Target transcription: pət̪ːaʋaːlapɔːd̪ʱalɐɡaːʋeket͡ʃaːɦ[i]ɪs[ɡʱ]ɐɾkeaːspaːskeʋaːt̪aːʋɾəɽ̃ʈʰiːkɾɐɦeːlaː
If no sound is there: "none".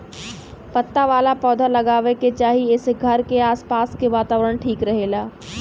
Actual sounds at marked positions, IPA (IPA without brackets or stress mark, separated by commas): i, ɡʱ